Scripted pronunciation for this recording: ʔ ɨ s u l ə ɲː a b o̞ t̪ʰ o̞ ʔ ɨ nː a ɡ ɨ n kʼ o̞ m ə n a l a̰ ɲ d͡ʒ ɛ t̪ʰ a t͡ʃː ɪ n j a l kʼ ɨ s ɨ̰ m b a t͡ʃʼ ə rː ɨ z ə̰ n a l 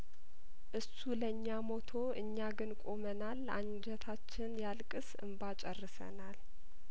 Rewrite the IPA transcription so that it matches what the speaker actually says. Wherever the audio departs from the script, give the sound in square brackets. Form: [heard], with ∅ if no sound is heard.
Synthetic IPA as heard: ʔ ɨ s u l ə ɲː a [m] o̞ t̪ʰ o̞ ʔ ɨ [ɲː] a ɡ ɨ n kʼ o̞ m ə n a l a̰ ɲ d͡ʒ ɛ t̪ʰ a t͡ʃː ɪ n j a l kʼ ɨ s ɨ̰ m b a t͡ʃʼ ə rː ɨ [s] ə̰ n a l